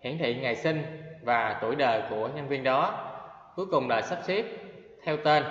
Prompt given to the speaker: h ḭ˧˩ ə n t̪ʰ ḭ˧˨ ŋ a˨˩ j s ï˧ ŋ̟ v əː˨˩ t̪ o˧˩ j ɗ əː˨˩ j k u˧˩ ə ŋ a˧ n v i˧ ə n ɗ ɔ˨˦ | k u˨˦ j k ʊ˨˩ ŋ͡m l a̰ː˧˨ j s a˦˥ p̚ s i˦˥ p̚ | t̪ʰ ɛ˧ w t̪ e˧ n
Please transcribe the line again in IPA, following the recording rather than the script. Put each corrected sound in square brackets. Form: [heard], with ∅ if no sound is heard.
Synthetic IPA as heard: h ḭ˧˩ ə n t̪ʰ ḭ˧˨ ŋ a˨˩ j s ï˧ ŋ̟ v [aː˨˩] t̪ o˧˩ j ɗ əː˨˩ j k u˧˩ ə [ɲ] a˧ n v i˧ ə n ɗ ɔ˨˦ | k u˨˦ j k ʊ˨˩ ŋ͡m l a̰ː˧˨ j s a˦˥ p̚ s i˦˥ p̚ | t̪ʰ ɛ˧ w t̪ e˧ n